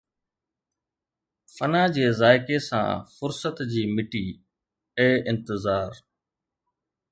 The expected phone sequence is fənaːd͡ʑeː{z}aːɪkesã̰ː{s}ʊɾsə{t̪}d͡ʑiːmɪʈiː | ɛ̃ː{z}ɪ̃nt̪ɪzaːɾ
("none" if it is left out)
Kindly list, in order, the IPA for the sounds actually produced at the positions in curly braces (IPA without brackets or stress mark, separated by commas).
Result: z, f, t̪, none